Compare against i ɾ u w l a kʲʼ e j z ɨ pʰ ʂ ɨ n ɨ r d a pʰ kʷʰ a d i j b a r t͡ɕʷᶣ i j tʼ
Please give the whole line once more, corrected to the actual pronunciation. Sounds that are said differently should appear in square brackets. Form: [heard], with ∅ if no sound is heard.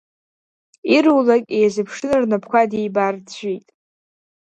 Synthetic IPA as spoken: i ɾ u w l a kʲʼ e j z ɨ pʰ ʂ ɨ n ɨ r [n] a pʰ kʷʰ a d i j b a r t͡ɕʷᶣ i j tʼ